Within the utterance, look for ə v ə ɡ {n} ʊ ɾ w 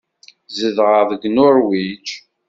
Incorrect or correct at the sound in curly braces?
correct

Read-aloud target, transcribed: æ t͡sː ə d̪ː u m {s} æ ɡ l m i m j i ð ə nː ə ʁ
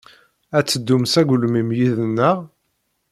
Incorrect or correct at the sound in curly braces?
correct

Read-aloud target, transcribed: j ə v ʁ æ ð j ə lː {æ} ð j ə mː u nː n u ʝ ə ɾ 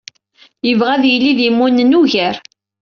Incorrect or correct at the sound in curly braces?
incorrect: i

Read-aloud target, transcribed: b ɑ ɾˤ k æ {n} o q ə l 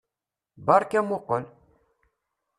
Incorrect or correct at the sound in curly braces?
incorrect: m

